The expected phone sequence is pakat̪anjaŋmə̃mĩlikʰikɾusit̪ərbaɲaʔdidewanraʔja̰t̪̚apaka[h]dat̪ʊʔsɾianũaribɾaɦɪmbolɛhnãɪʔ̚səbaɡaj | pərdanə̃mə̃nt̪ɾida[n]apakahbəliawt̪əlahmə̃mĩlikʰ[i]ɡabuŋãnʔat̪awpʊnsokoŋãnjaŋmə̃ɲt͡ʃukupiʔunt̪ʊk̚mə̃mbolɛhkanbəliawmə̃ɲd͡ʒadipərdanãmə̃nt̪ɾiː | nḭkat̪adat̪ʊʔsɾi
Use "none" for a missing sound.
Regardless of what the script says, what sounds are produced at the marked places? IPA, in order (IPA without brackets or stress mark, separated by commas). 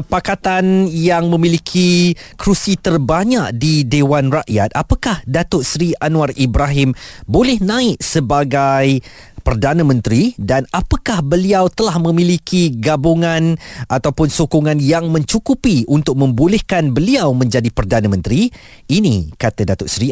h, n, i